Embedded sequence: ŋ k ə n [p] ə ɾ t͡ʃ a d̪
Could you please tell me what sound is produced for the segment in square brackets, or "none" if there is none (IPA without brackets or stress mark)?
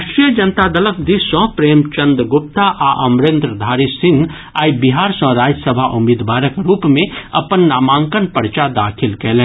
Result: p